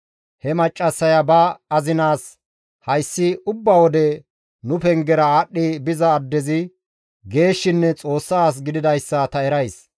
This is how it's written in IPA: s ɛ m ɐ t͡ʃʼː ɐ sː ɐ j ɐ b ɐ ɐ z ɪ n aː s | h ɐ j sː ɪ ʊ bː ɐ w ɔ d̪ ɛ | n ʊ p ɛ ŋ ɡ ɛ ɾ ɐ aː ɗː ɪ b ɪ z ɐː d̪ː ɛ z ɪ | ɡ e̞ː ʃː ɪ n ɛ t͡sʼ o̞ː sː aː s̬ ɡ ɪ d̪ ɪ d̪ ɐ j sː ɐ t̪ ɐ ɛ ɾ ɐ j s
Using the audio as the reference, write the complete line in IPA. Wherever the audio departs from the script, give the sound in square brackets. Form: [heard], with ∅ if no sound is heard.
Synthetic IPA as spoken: [h] ɛ m ɐ t͡ʃʼː ɐ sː ɐ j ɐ b ɐ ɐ z ɪ n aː s | h ɐ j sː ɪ ʊ bː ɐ w ɔ d̪ ɛ | n ʊ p ɛ ŋ ɡ ɛ ɾ ɐ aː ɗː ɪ b ɪ z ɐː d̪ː ɛ z ɪ | ɡ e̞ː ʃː ɪ [nː] ɛ t͡sʼ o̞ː sː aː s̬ ɡ ɪ d̪ ɪ d̪ ɐ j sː ɐ t̪ ɐ ɛ ɾ ɐ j s